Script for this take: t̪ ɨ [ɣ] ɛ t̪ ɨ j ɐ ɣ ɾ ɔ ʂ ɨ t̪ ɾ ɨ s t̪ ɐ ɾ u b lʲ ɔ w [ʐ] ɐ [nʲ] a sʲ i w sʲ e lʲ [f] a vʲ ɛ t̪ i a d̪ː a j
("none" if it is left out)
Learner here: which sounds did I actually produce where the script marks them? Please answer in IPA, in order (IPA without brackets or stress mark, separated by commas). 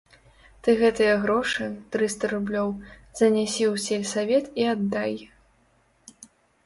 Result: ɣ, z, nʲ, s